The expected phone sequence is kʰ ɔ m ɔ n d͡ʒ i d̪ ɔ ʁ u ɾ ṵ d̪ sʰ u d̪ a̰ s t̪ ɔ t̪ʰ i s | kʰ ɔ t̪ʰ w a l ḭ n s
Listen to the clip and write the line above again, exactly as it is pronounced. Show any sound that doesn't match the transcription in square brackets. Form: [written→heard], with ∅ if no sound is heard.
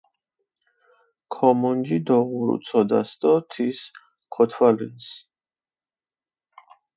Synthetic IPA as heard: kʰ ɔ m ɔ n d͡ʒ i d̪ ɔ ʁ u ɾ ṵ [d̪→t̪] sʰ [u→ɔ] d̪ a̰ s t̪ ɔ t̪ʰ i s | kʰ ɔ t̪ʰ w a l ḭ n s